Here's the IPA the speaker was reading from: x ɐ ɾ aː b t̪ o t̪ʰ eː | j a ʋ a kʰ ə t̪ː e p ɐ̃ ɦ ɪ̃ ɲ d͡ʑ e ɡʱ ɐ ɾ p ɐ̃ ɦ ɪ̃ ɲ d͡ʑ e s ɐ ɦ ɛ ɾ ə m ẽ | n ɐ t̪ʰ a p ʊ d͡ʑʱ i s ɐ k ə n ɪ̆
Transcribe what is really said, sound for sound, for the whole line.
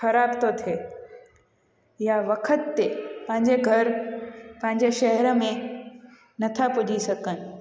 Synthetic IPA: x ɐ ɾ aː b t̪ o t̪ʰ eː | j a ʋ ɐ kʰ ə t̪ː e p ɐ̃ ɦ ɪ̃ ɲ d͡ʑ e ɡʱ ɐ ɾ p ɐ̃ ɦ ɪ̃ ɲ d͡ʑ e ʃ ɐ ɦ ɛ ɾ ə m ẽ | n ɐ t̪ʰ a p ʊ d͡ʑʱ i s ɐ k ə n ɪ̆